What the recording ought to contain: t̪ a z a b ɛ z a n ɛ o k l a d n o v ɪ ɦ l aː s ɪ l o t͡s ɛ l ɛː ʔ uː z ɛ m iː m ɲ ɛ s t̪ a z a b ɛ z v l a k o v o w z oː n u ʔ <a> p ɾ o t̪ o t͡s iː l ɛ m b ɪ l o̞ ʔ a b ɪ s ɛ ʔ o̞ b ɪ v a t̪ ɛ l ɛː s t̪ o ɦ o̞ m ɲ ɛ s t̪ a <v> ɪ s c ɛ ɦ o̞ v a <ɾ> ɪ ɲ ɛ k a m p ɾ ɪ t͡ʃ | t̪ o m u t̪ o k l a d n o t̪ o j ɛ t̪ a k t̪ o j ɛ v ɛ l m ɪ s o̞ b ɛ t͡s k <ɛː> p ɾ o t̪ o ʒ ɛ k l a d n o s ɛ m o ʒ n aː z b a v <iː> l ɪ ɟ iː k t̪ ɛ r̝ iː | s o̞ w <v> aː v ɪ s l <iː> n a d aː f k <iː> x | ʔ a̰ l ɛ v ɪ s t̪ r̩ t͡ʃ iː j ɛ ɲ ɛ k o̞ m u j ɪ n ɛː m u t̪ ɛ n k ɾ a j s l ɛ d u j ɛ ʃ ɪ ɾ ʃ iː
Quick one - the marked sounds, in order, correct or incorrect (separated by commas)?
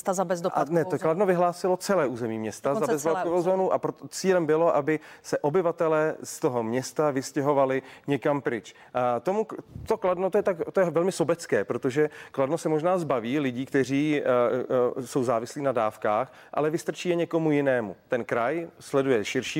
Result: correct, correct, incorrect, correct, correct, incorrect, correct, incorrect